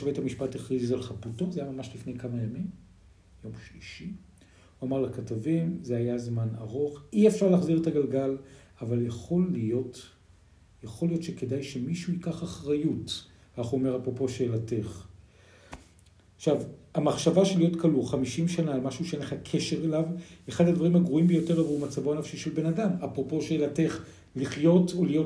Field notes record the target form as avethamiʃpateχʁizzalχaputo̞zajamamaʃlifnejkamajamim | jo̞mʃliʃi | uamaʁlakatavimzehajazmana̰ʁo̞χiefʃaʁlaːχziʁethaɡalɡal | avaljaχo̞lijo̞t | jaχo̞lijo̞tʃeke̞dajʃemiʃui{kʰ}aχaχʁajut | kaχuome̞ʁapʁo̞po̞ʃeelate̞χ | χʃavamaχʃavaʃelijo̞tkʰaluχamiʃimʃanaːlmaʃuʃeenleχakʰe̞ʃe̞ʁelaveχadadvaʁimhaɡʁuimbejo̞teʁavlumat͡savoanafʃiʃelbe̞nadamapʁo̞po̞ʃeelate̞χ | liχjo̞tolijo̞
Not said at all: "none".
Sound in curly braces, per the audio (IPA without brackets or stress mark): k